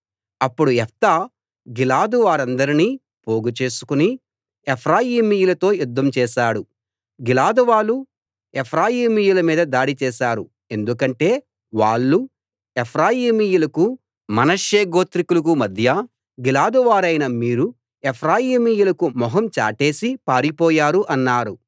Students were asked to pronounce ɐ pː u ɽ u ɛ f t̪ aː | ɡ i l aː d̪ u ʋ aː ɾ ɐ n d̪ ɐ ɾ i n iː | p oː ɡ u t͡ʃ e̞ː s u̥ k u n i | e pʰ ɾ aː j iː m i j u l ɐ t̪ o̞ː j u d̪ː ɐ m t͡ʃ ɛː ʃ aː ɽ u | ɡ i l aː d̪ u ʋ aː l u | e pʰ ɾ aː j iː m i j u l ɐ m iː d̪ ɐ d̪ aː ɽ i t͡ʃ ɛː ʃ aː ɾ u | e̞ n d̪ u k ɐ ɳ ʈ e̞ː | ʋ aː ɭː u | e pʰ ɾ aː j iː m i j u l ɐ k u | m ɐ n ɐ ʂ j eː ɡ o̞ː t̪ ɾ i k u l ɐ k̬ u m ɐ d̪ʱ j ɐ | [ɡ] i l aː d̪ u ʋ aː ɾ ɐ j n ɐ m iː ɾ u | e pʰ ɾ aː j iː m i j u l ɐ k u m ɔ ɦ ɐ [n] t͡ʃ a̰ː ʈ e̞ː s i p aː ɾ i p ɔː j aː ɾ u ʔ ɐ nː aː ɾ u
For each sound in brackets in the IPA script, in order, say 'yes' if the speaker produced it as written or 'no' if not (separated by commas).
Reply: yes, no